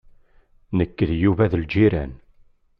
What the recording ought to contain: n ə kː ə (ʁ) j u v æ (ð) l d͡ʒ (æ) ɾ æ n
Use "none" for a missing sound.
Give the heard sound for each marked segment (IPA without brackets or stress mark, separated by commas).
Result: ð, ð, i